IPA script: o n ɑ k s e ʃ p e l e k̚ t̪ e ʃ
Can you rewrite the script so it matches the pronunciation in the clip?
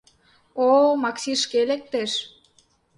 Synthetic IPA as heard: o m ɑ k s i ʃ k e l e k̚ t̪ e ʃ